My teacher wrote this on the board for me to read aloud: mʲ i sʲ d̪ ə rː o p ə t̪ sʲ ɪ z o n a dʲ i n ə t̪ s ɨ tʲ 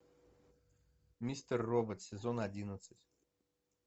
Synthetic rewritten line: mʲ i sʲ t̪ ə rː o b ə t̪ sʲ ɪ z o n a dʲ i n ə t̪ s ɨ tʲ